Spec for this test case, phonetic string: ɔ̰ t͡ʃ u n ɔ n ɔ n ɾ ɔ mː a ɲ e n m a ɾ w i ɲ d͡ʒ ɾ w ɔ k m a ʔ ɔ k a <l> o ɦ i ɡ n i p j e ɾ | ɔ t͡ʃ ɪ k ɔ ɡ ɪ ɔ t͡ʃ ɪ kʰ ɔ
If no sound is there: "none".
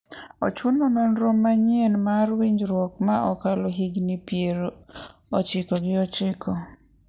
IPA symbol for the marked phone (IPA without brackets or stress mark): l